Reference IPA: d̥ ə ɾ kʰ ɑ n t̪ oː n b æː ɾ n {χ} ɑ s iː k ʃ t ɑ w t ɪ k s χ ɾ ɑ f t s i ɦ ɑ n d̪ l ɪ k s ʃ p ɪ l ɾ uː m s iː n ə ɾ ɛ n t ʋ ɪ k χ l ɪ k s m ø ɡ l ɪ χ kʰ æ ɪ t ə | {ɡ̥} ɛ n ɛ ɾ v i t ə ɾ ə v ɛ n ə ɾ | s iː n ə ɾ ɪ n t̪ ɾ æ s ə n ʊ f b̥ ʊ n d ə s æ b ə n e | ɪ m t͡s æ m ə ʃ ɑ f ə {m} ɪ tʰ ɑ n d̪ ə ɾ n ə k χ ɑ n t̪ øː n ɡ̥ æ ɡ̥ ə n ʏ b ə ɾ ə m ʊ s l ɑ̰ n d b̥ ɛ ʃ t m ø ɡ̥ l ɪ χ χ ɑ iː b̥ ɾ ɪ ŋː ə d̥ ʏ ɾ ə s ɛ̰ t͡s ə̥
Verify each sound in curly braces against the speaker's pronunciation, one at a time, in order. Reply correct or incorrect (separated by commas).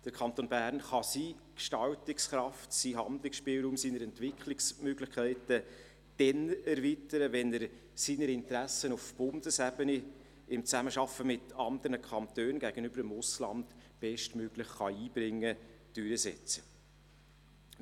correct, incorrect, correct